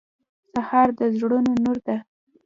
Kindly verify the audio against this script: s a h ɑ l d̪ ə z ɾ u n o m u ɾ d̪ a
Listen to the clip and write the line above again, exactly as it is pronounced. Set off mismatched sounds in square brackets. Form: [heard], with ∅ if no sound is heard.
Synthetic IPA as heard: s a h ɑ [ɾ] d̪ ə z [ɽ] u n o [n] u ɾ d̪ a